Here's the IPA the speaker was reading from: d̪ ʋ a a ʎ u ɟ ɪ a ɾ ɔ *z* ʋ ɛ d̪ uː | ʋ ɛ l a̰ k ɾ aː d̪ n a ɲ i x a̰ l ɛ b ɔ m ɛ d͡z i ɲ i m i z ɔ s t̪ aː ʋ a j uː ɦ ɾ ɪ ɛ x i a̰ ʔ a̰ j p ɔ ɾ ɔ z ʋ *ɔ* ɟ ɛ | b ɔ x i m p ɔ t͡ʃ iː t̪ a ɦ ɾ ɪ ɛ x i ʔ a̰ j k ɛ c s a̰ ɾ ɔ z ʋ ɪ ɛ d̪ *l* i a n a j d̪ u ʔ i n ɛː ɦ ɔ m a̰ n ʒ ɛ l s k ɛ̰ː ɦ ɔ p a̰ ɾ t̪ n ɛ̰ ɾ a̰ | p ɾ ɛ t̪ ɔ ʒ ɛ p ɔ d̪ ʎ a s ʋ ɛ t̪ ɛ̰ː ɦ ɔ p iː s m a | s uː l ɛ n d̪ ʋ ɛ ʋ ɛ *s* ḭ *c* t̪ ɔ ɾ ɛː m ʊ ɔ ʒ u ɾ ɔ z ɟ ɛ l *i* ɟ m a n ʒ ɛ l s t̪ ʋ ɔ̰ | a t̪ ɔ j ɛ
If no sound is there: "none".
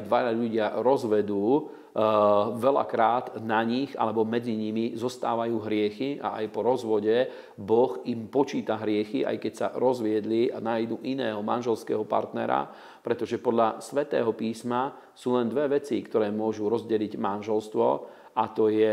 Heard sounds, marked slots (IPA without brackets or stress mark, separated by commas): z, ɔ, l, t͡s, k, i